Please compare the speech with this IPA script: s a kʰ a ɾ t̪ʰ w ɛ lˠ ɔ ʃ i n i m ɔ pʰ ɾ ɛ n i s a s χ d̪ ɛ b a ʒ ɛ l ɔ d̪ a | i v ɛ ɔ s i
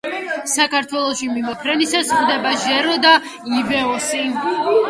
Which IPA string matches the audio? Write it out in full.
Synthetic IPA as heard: s a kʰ a ɾ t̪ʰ w ɛ lˠ ɔ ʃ i m i m ɔ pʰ ɾ ɛ n i s a s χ d̪ ɛ b a ʒ ɛ ɾ ɔ d̪ a | i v ɛ ɔ s i